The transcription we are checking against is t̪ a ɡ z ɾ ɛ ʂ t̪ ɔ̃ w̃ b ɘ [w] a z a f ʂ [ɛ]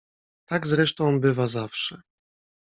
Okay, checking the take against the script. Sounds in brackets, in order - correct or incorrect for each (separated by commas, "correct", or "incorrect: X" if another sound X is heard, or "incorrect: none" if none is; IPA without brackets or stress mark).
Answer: incorrect: v, correct